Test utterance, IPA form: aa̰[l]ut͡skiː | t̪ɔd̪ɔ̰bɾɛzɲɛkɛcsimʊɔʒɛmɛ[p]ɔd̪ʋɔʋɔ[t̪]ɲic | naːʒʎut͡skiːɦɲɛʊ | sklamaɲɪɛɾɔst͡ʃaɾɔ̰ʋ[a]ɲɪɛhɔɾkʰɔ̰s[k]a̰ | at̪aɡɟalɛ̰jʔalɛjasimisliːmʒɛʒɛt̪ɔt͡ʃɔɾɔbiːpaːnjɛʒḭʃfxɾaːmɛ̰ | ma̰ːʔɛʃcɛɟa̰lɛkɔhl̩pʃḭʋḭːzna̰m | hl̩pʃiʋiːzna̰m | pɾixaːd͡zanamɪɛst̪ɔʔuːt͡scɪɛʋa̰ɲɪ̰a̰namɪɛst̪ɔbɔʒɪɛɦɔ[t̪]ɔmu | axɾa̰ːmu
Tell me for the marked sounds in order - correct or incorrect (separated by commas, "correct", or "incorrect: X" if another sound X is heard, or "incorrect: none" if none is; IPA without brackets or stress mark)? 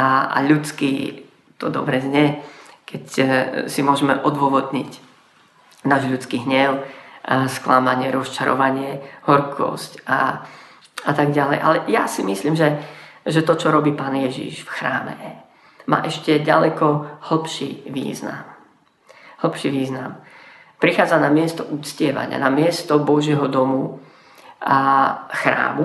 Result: incorrect: ʎ, incorrect: ʔ, incorrect: d̪, correct, incorrect: c, incorrect: d̪